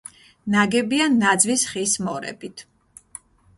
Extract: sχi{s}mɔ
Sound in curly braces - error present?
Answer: no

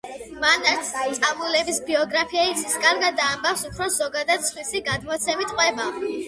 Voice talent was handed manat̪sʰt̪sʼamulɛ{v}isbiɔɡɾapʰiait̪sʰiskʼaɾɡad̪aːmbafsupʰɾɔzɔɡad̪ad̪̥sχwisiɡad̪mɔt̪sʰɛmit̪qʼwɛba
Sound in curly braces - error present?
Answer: yes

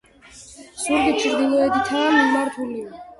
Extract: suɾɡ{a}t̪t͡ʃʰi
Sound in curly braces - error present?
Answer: yes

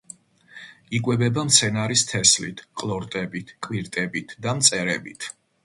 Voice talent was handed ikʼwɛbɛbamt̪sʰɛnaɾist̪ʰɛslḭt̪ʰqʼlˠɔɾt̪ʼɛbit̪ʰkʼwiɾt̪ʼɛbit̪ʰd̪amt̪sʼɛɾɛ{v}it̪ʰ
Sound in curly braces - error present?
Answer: yes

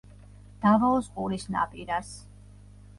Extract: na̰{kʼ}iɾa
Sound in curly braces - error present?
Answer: yes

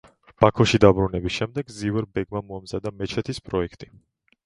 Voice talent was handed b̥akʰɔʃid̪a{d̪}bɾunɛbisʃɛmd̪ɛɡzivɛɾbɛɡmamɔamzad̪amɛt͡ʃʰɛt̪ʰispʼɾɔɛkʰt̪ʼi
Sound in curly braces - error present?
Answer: yes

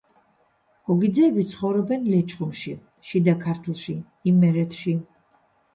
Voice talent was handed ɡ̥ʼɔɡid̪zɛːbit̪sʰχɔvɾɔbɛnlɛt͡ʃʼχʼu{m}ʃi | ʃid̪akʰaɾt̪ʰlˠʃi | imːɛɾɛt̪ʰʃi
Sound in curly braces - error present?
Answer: no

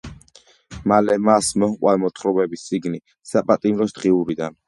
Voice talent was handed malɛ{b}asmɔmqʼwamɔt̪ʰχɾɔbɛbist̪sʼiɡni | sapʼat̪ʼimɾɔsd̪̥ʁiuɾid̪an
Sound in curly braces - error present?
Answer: yes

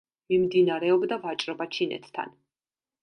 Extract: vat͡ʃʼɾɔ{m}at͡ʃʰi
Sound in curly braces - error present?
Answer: yes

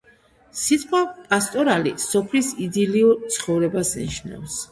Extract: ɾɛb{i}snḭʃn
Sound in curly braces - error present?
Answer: yes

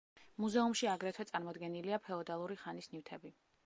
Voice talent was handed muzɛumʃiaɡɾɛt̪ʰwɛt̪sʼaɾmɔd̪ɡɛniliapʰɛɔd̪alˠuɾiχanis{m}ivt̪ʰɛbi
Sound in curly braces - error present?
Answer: yes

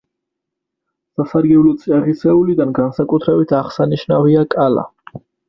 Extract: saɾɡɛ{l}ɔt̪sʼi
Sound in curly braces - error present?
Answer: no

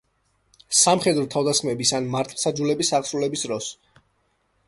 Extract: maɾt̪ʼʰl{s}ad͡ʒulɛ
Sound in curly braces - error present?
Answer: no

